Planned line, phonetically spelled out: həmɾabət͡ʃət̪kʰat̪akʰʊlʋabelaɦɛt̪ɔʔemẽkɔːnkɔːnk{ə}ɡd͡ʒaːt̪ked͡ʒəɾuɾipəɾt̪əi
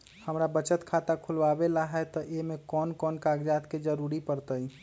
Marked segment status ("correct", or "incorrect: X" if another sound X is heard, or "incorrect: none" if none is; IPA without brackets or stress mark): incorrect: a